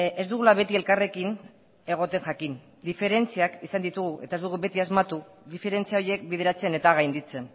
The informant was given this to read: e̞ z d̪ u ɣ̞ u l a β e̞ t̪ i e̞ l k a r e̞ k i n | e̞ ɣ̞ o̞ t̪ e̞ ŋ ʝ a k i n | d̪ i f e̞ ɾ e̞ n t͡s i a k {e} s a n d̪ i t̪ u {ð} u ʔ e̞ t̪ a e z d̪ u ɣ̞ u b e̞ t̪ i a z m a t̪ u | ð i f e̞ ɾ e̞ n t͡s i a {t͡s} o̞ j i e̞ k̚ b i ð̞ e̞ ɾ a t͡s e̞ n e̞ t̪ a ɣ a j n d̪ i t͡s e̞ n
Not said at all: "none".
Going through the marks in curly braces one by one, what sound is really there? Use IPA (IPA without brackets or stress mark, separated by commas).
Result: i, ɣ, none